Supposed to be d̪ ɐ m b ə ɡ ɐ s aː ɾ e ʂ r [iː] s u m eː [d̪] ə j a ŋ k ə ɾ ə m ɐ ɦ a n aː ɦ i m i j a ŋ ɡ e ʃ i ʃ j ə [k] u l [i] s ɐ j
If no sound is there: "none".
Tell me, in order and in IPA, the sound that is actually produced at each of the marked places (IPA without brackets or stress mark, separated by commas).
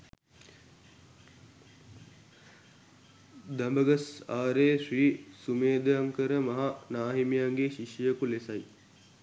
iː, d̪, k, e